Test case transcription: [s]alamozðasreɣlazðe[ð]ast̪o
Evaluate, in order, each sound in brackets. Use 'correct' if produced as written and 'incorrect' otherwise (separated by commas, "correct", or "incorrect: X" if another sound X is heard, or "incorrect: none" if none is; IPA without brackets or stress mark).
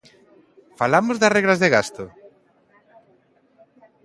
incorrect: f, incorrect: ɣ